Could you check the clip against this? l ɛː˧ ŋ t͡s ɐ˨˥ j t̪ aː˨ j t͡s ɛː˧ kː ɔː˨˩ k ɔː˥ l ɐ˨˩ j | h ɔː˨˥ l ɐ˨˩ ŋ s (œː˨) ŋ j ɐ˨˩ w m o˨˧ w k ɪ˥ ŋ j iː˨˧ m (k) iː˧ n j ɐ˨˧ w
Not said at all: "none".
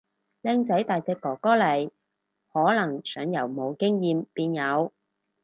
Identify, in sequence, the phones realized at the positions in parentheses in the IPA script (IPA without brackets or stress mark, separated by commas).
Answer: œː˨˥, p